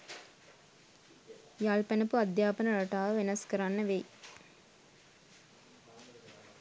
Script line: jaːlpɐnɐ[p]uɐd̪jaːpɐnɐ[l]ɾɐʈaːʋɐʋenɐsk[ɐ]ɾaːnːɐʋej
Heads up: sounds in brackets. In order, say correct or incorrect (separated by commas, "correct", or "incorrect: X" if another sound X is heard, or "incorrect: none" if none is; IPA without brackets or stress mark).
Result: correct, incorrect: none, correct